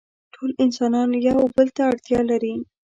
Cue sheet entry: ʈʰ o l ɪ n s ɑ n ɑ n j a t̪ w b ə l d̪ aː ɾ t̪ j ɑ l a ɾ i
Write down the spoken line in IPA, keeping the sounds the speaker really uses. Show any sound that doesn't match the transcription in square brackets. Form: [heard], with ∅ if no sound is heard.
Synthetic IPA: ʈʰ o l ɪ n s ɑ n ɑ n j a [∅] w b ə l [t̪] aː [ɽ] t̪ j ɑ l a ɾ i